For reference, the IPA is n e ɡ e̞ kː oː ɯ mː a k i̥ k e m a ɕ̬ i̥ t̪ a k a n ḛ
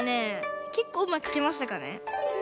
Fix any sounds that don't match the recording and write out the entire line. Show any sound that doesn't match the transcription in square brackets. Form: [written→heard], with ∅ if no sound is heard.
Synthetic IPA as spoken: n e [ɡ→k] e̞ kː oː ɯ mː a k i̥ k e m a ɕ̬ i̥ t̪ a k a n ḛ